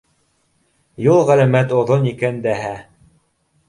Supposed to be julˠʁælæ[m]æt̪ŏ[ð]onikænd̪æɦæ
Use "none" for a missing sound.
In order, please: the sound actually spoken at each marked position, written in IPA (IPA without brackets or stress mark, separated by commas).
m, ð